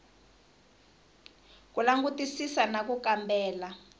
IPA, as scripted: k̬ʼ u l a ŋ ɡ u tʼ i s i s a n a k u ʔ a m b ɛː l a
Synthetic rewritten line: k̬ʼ u l a ŋ ɡ u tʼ i s i s a n a k u k a m b ɛː l a